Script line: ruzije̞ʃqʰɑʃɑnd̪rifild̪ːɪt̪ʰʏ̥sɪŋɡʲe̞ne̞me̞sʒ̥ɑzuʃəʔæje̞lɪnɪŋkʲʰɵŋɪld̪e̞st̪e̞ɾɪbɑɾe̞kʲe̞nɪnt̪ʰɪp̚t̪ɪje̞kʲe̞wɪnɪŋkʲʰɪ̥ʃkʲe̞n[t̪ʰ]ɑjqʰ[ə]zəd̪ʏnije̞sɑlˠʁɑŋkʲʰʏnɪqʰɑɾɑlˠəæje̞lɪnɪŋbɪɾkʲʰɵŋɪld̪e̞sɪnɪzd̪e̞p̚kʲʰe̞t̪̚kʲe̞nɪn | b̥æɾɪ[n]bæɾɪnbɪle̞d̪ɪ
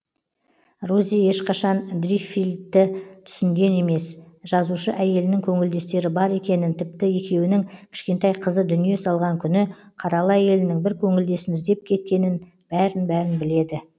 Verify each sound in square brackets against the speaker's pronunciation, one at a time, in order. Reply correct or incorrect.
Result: incorrect, correct, correct

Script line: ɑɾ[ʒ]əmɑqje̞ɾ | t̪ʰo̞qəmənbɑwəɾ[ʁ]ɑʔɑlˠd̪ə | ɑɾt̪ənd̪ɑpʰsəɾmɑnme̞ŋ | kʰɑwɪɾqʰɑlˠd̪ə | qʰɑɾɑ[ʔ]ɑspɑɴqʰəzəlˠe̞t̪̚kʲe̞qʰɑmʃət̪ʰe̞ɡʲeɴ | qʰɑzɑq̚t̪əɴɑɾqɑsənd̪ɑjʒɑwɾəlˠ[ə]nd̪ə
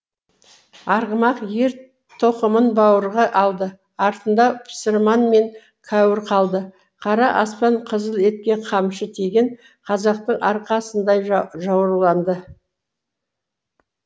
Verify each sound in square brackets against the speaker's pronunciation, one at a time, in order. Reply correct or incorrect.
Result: incorrect, correct, correct, incorrect

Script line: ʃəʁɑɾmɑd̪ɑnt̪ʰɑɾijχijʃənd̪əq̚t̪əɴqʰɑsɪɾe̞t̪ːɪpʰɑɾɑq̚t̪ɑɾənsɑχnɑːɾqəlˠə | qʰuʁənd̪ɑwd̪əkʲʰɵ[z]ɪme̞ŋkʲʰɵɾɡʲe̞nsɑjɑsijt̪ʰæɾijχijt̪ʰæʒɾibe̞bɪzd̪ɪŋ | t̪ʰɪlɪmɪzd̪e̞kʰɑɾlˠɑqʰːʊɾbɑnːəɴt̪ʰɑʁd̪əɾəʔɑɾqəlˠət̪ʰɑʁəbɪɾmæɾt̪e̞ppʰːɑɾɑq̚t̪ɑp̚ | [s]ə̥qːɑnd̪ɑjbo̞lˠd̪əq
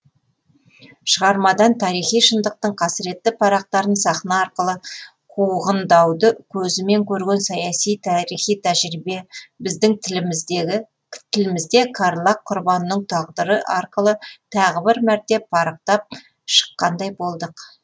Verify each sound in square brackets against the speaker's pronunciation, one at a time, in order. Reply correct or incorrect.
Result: correct, incorrect

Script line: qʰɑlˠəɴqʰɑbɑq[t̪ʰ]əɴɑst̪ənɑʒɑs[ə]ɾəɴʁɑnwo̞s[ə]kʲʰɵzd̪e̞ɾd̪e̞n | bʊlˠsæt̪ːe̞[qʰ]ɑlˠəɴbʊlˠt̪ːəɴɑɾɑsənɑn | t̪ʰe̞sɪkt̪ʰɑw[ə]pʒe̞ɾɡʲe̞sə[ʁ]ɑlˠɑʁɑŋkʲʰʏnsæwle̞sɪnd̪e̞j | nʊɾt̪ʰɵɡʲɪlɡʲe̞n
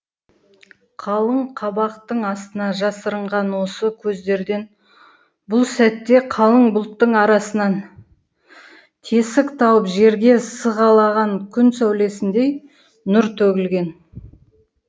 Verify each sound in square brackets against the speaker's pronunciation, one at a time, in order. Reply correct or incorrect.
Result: incorrect, correct, correct, correct, correct, correct

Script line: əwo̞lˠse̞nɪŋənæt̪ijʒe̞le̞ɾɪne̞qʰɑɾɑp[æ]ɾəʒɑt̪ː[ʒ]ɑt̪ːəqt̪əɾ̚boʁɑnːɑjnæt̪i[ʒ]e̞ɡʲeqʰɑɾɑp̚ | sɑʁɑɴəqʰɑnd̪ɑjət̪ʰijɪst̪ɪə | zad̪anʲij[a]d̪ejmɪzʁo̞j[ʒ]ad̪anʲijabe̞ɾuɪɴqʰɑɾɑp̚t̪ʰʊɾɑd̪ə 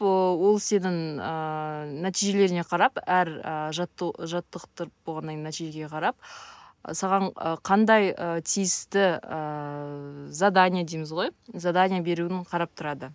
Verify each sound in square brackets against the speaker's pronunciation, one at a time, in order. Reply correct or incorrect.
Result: correct, correct, correct, correct, incorrect

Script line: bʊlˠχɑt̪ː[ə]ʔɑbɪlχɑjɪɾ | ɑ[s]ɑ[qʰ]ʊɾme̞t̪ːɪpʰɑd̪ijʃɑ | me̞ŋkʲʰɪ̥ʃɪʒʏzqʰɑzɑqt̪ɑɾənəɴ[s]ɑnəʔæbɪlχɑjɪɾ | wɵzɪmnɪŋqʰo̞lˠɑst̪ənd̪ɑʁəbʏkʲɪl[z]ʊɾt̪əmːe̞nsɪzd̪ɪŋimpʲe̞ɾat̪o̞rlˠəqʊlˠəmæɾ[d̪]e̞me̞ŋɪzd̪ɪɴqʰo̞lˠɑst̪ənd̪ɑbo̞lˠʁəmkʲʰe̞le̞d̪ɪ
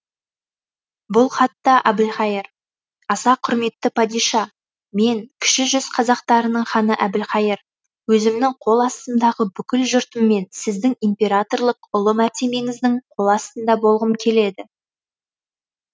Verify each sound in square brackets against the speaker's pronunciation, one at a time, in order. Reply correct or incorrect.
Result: incorrect, correct, correct, incorrect, incorrect, incorrect

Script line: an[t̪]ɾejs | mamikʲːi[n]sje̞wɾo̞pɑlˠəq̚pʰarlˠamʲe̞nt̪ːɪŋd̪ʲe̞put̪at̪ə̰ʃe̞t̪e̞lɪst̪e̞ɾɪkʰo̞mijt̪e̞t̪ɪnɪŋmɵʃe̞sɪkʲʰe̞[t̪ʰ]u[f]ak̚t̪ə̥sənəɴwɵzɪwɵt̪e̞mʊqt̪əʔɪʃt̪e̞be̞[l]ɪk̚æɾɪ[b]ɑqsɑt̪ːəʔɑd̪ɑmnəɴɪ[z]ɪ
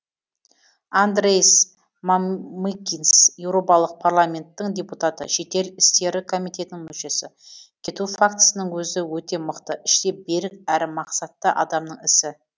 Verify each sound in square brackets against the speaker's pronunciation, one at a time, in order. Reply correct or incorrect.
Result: incorrect, correct, incorrect, correct, incorrect, incorrect, incorrect

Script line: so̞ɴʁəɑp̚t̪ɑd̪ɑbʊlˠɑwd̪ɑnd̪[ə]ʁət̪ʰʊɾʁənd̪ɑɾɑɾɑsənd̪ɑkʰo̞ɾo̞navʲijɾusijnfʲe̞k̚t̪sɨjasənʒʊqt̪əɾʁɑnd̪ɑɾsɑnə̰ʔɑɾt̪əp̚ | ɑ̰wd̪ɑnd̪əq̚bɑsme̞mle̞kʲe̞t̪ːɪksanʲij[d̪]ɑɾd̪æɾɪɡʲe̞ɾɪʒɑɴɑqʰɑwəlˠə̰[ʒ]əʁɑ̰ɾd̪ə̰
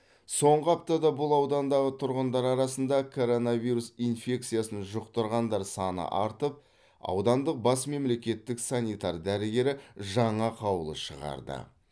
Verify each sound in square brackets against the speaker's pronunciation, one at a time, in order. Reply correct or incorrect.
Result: incorrect, incorrect, incorrect

